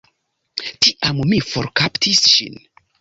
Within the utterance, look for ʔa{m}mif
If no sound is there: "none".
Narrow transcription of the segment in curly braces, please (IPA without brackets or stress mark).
m